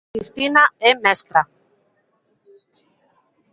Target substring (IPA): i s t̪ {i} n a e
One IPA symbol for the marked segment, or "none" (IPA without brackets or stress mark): i